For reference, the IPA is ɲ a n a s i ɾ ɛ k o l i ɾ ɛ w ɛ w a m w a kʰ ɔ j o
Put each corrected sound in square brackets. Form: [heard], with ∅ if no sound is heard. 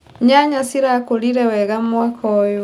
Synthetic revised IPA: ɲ a [ɲ] a s i ɾ [a] k o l i ɾ ɛ w ɛ [ɣ] a m w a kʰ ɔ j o